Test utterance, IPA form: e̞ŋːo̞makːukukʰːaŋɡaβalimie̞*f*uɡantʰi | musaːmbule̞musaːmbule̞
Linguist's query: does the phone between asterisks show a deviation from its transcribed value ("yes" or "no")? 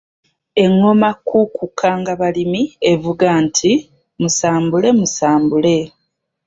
yes